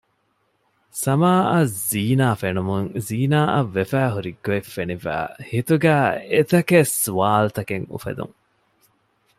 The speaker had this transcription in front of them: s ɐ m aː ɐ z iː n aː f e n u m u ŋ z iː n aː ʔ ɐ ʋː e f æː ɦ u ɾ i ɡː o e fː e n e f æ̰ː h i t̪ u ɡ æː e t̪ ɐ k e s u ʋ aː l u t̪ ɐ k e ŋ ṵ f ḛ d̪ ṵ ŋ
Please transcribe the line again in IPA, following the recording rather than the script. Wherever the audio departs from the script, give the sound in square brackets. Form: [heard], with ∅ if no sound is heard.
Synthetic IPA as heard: s ɐ m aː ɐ z iː n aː f e n u m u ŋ z iː n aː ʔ ɐ ʋː e f æː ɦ u ɾ i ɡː o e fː e n [i] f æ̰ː h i t̪ u ɡ æː e t̪ ɐ k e s u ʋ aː l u t̪ ɐ k e ŋ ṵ f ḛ d̪ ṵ ŋ